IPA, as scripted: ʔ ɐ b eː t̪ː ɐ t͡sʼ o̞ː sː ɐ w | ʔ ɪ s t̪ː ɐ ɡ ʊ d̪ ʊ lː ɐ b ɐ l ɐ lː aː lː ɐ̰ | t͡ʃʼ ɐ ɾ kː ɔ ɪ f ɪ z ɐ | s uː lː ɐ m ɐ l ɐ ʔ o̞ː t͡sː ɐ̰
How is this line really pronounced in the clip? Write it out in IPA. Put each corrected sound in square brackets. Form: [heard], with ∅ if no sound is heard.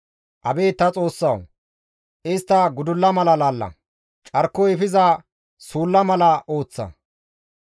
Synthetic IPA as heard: ʔ ɐ b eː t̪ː ɐ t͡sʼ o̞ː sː ɐ w | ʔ ɪ s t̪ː ɐ ɡ ʊ d̪ ʊ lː ɐ [m] ɐ l ɐ [l] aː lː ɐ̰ | t͡ʃʼ ɐ ɾ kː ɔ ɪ f ɪ z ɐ | s uː lː ɐ m ɐ l ɐ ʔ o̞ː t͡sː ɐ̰